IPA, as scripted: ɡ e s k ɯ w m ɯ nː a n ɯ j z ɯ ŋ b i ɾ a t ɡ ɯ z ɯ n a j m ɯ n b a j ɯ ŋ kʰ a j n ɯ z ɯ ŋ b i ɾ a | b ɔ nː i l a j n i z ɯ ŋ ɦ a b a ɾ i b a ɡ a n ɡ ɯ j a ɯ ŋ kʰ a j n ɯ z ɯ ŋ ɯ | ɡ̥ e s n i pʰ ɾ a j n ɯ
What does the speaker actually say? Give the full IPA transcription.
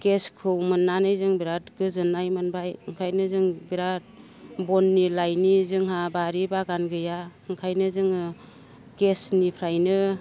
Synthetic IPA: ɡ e s kʰ ɯ w m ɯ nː a n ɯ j z ɯ ŋ b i ɾ a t ɡ ɯ z ɯ n a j m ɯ n b a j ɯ ŋ kʰ a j n ɯ z ɯ ŋ b i ɾ a | b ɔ nː i l a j n i z ɯ ŋ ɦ a b a ɾ i b a ɡ a n ɡ ɯ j a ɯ ŋ kʰ a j n ɯ z ɯ ŋ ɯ | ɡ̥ e s n i pʰ ɾ a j n ɯ